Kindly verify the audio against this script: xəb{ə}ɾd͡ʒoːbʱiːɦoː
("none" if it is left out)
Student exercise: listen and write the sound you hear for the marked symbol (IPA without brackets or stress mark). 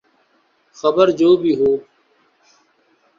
ə